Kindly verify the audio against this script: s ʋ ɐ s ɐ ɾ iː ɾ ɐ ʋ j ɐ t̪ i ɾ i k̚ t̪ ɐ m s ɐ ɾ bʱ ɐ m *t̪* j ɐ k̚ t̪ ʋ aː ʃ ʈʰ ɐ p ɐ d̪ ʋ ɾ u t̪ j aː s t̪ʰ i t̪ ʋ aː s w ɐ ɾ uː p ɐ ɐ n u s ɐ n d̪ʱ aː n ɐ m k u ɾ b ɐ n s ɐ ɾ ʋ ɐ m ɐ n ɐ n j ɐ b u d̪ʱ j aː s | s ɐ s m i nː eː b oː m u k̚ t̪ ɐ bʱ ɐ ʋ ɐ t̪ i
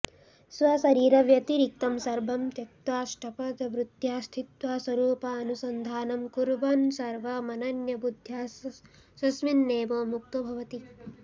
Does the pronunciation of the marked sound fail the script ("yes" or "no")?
no